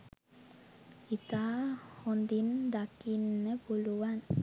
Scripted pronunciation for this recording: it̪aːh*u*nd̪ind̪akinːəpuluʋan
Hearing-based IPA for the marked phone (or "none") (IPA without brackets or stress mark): o